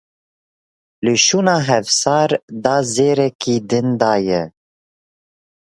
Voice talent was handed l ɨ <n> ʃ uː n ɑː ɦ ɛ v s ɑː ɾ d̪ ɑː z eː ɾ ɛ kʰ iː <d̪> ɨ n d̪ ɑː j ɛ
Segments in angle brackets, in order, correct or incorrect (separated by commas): incorrect, correct